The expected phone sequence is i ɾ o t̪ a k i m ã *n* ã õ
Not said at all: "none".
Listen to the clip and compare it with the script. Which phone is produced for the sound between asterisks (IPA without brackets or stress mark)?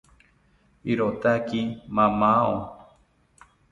m